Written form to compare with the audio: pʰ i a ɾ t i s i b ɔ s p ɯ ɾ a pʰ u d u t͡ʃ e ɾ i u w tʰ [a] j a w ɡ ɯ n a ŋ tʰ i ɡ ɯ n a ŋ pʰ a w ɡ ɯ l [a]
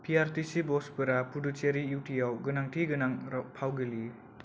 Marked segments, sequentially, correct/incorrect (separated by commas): incorrect, incorrect